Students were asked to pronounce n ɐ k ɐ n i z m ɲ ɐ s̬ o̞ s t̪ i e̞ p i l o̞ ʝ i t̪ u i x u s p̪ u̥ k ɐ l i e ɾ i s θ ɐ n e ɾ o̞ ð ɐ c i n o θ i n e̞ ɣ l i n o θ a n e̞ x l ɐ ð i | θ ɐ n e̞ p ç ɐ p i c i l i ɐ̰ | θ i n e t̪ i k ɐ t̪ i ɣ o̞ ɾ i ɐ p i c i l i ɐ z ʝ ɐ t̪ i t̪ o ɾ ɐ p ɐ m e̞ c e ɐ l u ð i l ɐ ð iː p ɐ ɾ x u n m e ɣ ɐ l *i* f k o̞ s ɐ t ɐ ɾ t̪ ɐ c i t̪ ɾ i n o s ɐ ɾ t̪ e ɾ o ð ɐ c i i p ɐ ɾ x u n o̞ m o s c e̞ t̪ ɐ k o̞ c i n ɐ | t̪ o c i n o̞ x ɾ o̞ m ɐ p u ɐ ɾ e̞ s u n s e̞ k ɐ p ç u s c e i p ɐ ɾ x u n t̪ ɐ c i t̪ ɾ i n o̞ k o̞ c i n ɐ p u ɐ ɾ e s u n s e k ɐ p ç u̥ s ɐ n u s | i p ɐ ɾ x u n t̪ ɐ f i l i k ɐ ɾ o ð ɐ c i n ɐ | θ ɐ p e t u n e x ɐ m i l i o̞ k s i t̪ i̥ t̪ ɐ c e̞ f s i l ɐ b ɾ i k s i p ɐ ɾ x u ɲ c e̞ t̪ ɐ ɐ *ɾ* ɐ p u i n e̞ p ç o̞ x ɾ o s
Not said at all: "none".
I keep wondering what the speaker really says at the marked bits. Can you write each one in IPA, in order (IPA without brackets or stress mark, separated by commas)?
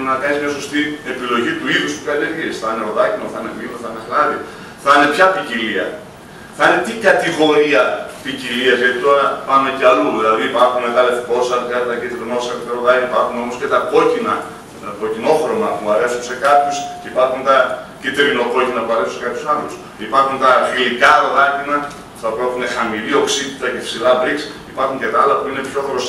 e, l